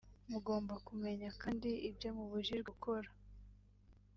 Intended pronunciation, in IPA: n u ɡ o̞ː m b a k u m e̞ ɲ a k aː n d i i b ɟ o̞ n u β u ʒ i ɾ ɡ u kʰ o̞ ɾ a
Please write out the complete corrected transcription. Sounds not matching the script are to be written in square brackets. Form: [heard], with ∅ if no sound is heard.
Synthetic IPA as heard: [m] u ɡ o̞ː m b a k u m e̞ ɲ a k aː n d i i b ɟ o̞ [m] u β u ʒ i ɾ ɡ u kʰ o̞ ɾ a